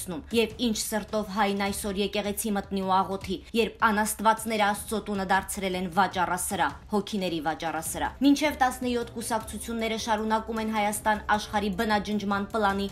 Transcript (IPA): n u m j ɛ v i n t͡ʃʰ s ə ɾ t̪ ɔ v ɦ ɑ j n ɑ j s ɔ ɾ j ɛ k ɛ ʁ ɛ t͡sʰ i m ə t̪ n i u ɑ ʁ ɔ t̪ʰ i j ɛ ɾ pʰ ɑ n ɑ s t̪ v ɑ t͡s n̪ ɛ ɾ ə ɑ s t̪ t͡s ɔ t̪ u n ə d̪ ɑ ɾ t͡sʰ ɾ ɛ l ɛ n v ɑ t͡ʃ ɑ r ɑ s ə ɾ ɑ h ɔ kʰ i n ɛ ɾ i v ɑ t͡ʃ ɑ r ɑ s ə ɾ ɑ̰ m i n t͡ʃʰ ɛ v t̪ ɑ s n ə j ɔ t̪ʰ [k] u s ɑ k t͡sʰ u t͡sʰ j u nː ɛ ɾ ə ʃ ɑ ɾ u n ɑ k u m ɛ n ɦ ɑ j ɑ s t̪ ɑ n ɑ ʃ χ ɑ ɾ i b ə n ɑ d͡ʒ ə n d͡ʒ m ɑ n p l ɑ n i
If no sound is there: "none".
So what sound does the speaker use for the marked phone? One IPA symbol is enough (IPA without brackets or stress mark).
k